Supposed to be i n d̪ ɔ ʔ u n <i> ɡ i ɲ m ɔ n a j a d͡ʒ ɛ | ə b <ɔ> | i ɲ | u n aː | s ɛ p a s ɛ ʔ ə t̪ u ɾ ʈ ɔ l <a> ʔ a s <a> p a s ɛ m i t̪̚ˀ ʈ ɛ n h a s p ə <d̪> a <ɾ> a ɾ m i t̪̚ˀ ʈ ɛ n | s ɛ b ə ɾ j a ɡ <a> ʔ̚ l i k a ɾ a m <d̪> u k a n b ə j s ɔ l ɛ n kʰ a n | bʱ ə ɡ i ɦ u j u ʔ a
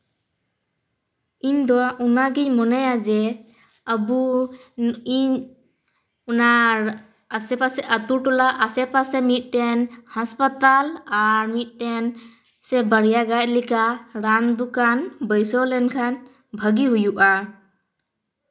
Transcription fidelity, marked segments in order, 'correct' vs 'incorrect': incorrect: a, incorrect: u, correct, incorrect: ɛ, incorrect: t̪, incorrect: l, correct, correct

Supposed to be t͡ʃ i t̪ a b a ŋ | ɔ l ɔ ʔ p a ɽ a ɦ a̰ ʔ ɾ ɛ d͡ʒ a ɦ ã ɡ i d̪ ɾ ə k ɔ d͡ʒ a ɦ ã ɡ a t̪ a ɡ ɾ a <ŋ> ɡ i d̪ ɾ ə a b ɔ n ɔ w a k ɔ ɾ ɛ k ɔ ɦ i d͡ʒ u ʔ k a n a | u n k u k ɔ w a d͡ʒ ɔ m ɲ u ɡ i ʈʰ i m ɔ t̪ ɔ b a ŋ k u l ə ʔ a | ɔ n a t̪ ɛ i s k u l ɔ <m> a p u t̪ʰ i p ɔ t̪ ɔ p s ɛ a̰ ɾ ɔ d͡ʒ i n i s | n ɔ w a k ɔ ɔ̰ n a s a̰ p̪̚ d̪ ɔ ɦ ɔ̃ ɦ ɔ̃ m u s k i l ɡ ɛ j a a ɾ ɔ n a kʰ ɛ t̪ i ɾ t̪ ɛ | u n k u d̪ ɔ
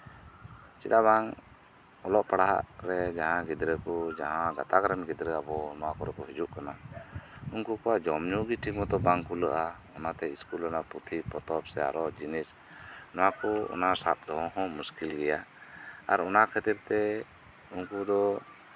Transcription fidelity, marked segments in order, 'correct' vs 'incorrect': incorrect: n, incorrect: n

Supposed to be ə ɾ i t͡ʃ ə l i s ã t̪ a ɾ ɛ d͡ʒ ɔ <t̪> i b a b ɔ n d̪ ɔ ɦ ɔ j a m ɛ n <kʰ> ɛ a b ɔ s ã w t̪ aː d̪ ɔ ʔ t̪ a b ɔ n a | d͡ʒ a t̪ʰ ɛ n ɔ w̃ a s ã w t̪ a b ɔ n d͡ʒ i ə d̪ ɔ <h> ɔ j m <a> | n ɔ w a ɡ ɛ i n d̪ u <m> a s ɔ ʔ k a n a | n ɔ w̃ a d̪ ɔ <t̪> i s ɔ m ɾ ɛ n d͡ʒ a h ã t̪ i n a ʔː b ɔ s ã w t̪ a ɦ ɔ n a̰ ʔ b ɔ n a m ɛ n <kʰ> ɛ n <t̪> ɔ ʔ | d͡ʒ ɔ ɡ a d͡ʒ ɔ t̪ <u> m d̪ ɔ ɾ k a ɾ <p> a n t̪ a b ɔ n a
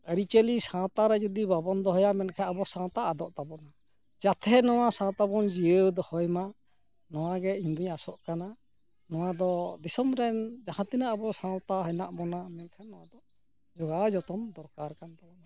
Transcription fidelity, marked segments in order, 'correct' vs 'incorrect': incorrect: d̪, correct, correct, correct, incorrect: ɲ, incorrect: d̪, correct, incorrect: d̪, incorrect: ɔ, incorrect: k

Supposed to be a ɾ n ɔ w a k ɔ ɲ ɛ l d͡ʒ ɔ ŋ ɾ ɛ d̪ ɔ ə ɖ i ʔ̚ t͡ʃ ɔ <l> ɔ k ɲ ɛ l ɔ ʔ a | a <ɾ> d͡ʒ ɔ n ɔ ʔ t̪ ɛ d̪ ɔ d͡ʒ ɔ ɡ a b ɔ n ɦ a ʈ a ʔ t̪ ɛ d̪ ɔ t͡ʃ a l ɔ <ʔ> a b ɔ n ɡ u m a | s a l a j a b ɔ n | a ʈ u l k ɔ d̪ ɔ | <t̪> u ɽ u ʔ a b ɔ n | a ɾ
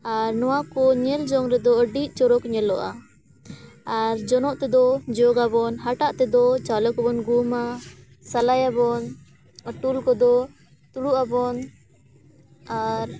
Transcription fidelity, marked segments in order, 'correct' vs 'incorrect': incorrect: ɾ, correct, incorrect: k, correct

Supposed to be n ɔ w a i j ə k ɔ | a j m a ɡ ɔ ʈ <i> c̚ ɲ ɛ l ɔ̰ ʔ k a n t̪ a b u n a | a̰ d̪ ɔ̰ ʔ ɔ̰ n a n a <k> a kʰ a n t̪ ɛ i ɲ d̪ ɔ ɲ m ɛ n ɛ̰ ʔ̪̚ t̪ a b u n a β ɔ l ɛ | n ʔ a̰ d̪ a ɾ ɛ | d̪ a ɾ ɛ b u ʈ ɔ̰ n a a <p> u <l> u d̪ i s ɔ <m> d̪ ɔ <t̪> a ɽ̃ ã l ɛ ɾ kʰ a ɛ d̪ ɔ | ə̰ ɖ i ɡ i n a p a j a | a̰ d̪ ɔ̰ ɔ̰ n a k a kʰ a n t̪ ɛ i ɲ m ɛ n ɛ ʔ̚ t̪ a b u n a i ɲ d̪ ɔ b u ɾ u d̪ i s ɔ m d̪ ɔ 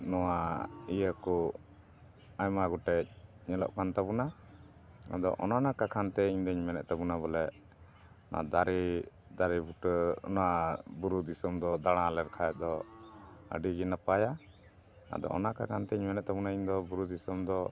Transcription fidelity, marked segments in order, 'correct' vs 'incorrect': incorrect: ɛ, correct, incorrect: b, incorrect: ɾ, correct, incorrect: d̪

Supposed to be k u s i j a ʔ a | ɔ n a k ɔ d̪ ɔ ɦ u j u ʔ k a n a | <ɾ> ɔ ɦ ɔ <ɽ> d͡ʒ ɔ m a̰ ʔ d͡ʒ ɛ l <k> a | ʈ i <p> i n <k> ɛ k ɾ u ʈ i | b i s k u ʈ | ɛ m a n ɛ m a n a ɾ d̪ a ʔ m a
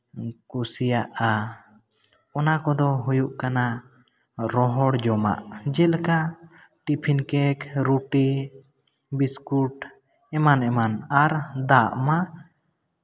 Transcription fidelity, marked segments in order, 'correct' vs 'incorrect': correct, correct, correct, incorrect: pʰ, correct

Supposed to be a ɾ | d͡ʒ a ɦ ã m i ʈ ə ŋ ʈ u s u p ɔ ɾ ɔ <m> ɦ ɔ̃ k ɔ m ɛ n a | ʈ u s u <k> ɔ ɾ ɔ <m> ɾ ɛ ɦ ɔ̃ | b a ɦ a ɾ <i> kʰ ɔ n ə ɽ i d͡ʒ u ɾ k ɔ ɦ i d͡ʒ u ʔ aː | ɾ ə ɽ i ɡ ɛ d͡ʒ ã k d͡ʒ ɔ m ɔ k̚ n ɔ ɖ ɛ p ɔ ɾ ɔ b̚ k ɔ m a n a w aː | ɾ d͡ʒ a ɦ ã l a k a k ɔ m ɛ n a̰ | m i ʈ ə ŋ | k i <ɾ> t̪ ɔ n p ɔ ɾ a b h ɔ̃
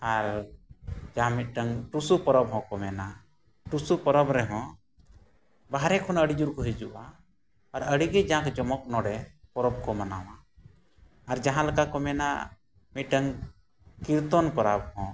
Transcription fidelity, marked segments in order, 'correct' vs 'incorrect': incorrect: b, incorrect: p, incorrect: b, incorrect: ɛ, correct

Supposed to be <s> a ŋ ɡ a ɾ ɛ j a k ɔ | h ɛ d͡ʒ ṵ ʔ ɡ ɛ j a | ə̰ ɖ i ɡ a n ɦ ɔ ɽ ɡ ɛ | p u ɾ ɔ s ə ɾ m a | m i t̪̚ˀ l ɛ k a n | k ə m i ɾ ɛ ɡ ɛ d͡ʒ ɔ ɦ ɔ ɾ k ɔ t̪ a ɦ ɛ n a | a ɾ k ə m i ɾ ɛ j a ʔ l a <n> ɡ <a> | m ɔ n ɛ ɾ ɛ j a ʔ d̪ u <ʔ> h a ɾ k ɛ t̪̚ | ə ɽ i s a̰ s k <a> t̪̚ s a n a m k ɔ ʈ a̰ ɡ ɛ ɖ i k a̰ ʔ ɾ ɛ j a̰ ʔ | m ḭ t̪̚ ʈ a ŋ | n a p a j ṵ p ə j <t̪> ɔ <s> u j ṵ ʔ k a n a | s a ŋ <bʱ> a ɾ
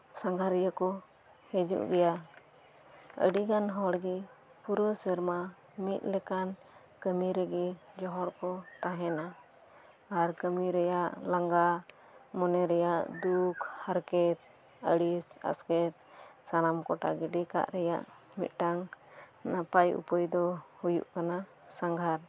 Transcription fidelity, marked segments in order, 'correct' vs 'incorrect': correct, incorrect: ŋ, correct, incorrect: k, incorrect: ɛ, incorrect: d̪, incorrect: h, incorrect: ɡʱ

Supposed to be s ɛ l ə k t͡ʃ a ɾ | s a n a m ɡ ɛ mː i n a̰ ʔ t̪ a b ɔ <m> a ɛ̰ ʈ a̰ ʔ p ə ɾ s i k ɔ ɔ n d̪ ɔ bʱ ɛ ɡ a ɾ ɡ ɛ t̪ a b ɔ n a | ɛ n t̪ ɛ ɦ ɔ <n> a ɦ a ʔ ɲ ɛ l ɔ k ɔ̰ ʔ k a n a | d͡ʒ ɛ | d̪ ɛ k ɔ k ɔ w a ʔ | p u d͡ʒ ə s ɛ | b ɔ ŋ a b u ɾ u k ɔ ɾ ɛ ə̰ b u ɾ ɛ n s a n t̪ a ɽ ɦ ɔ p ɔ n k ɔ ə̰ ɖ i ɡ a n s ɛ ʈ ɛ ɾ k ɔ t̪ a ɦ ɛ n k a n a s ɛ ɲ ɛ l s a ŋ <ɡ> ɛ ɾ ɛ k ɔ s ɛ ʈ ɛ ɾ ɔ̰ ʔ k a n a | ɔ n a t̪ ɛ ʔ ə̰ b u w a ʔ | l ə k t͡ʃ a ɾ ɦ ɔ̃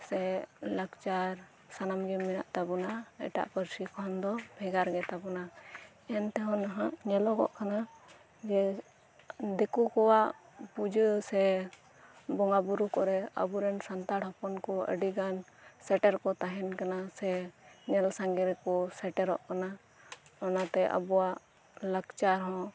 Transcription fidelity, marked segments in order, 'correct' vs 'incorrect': incorrect: n, correct, correct

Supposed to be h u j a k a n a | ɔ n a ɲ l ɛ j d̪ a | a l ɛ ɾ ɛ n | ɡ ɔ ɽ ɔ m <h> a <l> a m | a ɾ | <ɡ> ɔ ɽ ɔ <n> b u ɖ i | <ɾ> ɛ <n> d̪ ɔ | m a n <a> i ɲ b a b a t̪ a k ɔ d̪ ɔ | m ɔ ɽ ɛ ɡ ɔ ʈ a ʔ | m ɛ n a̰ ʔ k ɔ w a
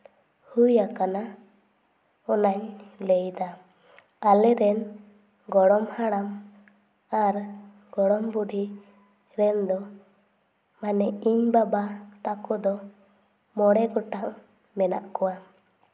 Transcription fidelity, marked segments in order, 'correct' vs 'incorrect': correct, incorrect: ɽ, correct, incorrect: m, correct, correct, incorrect: ɛ

